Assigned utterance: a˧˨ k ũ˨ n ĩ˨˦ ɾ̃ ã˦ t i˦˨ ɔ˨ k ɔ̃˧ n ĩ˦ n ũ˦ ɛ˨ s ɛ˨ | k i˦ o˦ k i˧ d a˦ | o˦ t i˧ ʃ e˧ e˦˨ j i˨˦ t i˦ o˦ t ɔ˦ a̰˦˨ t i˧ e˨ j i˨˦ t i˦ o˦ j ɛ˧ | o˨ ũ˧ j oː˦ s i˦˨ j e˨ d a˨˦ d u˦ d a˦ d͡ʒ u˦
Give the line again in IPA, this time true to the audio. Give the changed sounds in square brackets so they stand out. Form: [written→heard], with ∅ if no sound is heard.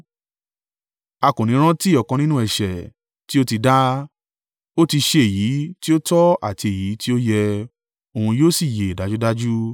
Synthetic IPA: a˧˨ k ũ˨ n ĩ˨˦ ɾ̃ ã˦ t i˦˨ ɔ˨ k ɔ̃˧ n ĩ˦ n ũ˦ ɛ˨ [s→ʃ] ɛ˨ | [k→t] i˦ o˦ [k→t] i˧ d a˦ | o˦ t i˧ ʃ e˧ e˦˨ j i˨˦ t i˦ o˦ t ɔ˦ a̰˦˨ t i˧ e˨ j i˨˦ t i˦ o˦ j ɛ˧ | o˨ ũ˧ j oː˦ s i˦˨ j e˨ d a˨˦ [d→d͡ʒ] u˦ d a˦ d͡ʒ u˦

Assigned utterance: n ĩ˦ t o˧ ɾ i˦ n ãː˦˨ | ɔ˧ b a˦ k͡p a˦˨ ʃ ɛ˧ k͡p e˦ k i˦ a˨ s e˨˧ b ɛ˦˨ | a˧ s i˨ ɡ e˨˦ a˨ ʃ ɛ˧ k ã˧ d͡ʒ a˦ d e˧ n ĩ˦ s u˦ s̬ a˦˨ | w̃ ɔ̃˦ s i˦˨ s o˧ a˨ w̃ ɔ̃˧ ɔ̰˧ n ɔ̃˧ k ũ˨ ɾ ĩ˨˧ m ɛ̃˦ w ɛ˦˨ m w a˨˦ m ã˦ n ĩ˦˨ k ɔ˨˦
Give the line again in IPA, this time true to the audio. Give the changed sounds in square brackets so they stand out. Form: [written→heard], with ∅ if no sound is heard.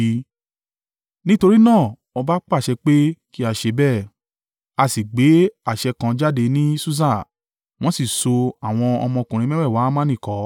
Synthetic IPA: n ĩ˦ t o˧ ɾ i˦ n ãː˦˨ | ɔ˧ b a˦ k͡p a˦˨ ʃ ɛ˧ k͡p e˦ k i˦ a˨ [s→ʃ] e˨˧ b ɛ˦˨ | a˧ s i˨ [ɡ→ɡ͡b] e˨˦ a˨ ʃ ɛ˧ k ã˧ d͡ʒ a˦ d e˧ n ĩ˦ s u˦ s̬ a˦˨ | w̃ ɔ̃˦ s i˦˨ s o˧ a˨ w̃ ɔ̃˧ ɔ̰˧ [n→m] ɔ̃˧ k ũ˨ ɾ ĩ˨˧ m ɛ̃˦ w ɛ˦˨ [m→∅] w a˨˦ m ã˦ n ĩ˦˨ k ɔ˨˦

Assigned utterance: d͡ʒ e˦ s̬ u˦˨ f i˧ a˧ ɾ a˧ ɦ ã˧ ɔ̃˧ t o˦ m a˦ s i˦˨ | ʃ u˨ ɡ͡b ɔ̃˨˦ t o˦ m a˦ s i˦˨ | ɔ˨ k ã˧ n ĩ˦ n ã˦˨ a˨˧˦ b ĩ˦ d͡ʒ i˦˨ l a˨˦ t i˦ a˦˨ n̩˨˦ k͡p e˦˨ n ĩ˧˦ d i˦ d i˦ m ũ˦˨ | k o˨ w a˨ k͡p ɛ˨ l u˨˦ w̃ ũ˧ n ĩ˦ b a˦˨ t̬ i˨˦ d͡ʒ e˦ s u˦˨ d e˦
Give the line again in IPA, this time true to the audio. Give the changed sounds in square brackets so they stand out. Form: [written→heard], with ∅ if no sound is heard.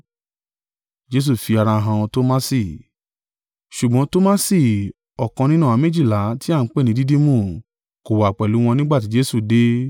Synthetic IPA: d͡ʒ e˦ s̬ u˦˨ f i˧ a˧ ɾ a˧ ɦ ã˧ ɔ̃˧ t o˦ m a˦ s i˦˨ | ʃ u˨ ɡ͡b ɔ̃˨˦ t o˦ m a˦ s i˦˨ | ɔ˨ k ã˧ n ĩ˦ n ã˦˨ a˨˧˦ [b→m] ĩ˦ d͡ʒ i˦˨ l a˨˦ t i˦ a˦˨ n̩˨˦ k͡p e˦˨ n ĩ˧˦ d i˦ d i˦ m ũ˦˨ | k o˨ w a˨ k͡p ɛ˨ l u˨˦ w̃ [ũ˧→ɔ̃˧] n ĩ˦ [b→ɡ͡b] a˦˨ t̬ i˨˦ d͡ʒ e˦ s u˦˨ d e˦

